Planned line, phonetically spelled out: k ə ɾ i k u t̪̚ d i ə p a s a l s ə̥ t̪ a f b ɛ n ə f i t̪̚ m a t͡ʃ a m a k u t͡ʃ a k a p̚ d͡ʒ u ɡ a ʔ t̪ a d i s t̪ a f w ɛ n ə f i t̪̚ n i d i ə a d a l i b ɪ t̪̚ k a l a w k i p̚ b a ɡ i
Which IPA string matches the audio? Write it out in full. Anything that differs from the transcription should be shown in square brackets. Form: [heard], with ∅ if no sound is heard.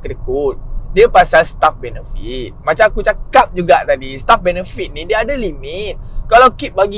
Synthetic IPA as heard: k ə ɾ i k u t̪̚ d i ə p a s a l s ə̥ t̪ a f b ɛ n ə f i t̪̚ m a t͡ʃ a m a k u t͡ʃ a k a p̚ d͡ʒ u ɡ a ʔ t̪ a d i s t̪ a f [b] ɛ n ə f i t̪̚ n i d i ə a d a l i [m] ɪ t̪̚ k a l a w k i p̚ b a ɡ i